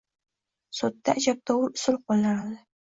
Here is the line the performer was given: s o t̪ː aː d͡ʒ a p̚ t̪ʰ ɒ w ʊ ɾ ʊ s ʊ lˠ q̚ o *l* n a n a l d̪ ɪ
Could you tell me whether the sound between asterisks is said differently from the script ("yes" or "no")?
no